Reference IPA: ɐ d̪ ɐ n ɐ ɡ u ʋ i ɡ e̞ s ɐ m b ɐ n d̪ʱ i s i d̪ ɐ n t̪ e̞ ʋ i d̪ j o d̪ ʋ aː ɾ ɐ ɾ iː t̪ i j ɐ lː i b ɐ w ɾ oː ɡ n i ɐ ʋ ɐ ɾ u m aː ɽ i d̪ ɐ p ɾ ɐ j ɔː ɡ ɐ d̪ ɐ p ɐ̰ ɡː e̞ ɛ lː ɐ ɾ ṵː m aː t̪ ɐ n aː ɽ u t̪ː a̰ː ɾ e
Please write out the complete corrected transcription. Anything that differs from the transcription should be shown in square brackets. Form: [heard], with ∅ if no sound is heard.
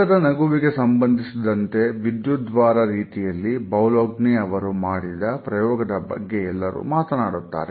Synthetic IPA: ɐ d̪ ɐ n ɐ ɡ u ʋ i ɡ e̞ s ɐ m b ɐ n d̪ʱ i s i d̪ ɐ n t̪ e̞ ʋ i d̪ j [u] d̪ ʋ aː ɾ ɐ ɾ iː t̪ i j ɐ lː i b ɐ w [l] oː ɡ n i ɐ ʋ ɐ ɾ u m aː ɽ i d̪ ɐ p ɾ ɐ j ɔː ɡ ɐ d̪ ɐ [b] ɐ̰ ɡː e̞ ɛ lː ɐ ɾ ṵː m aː t̪ ɐ n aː ɽ u t̪ː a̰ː ɾ e

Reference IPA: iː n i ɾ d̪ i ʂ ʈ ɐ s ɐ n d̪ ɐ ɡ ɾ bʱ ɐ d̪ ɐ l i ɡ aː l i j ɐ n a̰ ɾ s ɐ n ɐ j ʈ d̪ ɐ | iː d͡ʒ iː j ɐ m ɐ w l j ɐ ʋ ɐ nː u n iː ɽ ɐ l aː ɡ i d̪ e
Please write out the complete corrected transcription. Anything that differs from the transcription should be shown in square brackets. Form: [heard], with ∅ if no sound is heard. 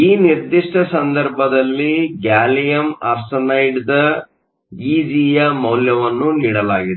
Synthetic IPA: iː n i ɾ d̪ i ʂ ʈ ɐ s ɐ n d̪ ɐ [∅] ɾ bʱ ɐ d̪ ɐ [lː] i ɡ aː l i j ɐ [m] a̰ ɾ s ɐ n ɐ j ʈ d̪ ɐ | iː d͡ʒ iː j ɐ m ɐ w l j ɐ ʋ ɐ nː u n iː ɽ ɐ l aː ɡ i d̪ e

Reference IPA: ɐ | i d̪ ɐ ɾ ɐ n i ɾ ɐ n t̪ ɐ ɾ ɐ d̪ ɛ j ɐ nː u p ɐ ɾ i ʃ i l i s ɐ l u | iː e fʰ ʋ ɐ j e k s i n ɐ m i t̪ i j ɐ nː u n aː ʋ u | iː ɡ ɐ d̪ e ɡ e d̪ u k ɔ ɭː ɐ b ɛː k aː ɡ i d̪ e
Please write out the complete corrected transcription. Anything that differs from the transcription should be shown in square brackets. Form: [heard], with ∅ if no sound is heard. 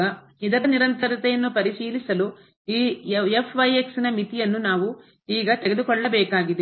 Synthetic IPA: ɐ | i d̪ ɐ ɾ ɐ n i ɾ ɐ n t̪ ɐ ɾ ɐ [t̪] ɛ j ɐ nː u p ɐ ɾ i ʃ [iː] l i s ɐ l u | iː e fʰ ʋ ɐ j e k s i n ɐ m i t̪ i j ɐ nː u n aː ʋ u | iː ɡ ɐ [t̪] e ɡ e d̪ u k ɔ ɭː ɐ b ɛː k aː ɡ i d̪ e

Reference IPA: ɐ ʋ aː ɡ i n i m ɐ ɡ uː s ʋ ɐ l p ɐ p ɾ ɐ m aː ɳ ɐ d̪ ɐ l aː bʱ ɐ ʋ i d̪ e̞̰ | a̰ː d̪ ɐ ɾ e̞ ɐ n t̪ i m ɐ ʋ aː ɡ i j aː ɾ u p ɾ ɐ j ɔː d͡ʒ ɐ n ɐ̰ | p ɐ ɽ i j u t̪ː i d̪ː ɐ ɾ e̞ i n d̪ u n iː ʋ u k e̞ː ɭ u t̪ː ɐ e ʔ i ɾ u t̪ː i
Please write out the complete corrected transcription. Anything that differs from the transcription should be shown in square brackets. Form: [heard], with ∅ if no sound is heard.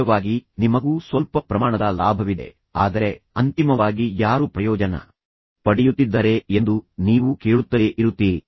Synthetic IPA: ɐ ʋ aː ɡ i n i m ɐ ɡ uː s ʋ ɐ l p ɐ p ɾ ɐ m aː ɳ ɐ d̪ ɐ l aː bʱ ɐ ʋ i d̪ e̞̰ | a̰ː d̪ ɐ ɾ e̞ ɐ n t̪ i m ɐ ʋ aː ɡ i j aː ɾ u p ɾ ɐ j ɔː d͡ʒ ɐ n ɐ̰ | p ɐ ɽ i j u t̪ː i d̪ː ɐ ɾ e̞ [e] n d̪ u n iː ʋ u k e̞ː ɭ u t̪ː ɐ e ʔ i ɾ u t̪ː i

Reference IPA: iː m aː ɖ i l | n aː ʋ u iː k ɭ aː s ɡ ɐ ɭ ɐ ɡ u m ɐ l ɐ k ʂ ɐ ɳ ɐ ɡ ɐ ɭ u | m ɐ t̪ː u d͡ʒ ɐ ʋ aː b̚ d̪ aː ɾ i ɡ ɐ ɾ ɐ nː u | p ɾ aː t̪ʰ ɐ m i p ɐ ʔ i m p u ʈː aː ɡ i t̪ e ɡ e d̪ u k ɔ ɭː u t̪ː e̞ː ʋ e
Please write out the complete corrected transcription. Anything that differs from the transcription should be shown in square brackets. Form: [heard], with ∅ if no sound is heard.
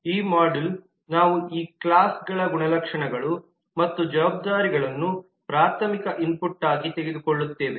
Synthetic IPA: iː m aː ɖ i l | n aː ʋ u iː k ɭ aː s ɡ ɐ ɭ ɐ ɡ u [ɳ] ɐ l ɐ k ʂ ɐ ɳ ɐ ɡ ɐ ɭ u | m ɐ t̪ː u d͡ʒ ɐ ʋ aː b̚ d̪ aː ɾ i ɡ ɐ [ɭ] ɐ nː u | p ɾ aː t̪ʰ ɐ m i [k] ɐ ʔ i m p u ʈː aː ɡ i t̪ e ɡ e d̪ u k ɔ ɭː u t̪ː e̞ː ʋ e

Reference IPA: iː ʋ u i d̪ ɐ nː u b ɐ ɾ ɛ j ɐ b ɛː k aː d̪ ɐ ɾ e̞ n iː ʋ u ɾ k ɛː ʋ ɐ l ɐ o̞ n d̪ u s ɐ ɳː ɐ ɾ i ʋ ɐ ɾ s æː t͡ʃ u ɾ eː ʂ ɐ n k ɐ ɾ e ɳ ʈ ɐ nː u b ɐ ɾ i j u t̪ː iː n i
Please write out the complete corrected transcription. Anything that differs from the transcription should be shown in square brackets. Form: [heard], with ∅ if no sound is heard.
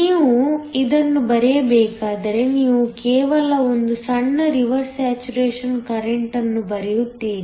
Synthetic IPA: iː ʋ u i d̪ ɐ nː u b ɐ ɾ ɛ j ɐ b ɛː k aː d̪ ɐ ɾ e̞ n iː ʋ u [∅] k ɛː ʋ ɐ l ɐ o̞ n d̪ u s ɐ ɳː ɐ ɾ i ʋ ɐ ɾ s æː t͡ʃ u ɾ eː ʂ ɐ n k ɐ ɾ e ɳ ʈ ɐ nː u b ɐ ɾ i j u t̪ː iː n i

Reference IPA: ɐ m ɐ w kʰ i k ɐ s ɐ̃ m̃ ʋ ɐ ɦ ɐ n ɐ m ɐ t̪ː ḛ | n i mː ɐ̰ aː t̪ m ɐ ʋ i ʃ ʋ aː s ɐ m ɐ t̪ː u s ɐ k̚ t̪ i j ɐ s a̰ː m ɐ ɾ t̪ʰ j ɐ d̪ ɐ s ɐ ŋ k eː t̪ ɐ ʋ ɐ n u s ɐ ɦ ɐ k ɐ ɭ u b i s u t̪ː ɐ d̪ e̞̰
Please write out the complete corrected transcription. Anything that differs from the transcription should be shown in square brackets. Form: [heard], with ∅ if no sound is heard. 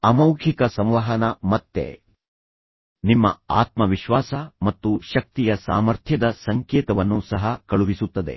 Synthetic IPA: ɐ m ɐ w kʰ i k ɐ s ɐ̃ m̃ ʋ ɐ ɦ ɐ n ɐ m ɐ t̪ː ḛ | n i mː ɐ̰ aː t̪ m ɐ ʋ i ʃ ʋ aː s ɐ m ɐ t̪ː u [ʃ] ɐ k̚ t̪ i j ɐ s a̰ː m ɐ ɾ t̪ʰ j ɐ d̪ ɐ s ɐ ŋ k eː t̪ ɐ ʋ ɐ [nː] u s ɐ ɦ ɐ k ɐ ɭ u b i s u t̪ː ɐ d̪ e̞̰

